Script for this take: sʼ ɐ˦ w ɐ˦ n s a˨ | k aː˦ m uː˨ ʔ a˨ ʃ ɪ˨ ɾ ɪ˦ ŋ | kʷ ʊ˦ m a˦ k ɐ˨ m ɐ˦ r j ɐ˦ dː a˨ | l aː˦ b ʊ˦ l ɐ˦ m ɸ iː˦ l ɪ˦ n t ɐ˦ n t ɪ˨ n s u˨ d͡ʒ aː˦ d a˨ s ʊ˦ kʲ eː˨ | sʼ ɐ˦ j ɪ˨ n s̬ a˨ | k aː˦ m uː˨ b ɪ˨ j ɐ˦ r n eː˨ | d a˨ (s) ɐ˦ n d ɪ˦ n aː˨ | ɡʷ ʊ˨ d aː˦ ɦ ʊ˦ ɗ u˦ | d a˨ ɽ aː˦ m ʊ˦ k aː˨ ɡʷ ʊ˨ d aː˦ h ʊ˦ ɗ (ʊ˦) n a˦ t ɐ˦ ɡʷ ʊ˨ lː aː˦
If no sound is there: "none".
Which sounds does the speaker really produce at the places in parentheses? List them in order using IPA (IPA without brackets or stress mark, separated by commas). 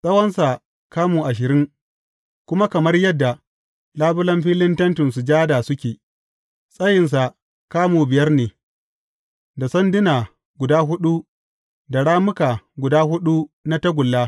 s, u˦